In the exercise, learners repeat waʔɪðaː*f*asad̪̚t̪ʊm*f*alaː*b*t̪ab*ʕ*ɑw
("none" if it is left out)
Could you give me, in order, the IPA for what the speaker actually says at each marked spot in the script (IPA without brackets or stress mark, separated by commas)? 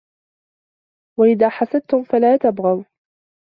ħ, f, none, ɣ